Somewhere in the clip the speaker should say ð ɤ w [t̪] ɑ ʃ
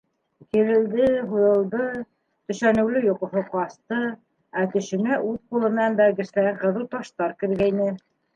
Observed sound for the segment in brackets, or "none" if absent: t̪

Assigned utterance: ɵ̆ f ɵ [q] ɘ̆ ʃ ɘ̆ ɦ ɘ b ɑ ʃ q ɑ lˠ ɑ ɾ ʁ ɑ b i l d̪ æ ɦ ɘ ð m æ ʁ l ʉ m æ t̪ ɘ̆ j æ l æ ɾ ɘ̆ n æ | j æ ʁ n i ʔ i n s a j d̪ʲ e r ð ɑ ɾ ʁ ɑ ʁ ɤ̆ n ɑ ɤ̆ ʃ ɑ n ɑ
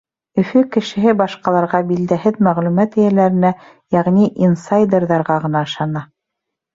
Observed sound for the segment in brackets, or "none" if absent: k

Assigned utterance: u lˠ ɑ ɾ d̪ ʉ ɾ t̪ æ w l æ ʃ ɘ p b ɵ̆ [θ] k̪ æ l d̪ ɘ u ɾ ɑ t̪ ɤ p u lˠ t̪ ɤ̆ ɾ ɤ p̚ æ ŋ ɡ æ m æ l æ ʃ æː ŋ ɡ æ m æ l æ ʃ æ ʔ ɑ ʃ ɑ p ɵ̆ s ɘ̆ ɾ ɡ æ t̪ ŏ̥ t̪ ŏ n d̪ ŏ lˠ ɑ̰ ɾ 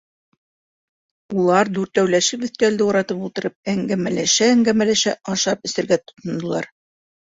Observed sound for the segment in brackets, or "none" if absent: θ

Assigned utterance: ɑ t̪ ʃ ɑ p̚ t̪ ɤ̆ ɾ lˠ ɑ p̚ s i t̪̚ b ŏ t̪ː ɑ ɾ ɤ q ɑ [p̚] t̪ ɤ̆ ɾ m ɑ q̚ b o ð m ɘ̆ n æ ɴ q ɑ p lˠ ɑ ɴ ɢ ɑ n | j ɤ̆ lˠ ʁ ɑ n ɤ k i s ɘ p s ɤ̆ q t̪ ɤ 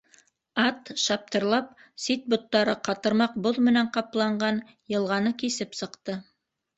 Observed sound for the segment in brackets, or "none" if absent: none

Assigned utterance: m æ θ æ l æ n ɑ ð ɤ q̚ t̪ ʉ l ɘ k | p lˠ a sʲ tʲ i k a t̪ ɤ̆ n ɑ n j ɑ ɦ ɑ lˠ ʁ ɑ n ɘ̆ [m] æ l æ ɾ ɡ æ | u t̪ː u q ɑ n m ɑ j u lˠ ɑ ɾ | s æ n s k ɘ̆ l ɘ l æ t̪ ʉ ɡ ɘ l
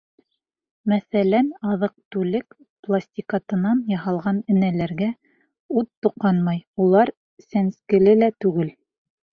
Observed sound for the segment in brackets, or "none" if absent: n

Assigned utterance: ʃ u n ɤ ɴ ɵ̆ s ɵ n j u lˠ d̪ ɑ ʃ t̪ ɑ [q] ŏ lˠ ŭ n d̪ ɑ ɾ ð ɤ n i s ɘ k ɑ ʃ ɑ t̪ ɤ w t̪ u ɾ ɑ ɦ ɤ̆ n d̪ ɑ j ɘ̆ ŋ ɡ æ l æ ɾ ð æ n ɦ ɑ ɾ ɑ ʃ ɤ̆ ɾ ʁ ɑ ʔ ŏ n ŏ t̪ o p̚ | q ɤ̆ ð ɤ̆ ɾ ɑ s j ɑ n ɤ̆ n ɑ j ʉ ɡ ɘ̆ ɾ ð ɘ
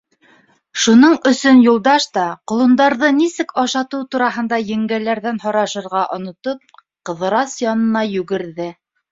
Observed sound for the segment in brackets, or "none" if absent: q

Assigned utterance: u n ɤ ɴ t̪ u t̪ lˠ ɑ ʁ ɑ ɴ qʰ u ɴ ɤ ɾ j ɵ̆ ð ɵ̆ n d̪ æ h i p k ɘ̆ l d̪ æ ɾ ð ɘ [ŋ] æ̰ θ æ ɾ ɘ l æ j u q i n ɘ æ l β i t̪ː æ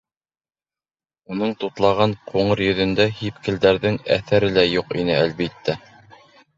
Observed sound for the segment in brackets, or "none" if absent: ŋ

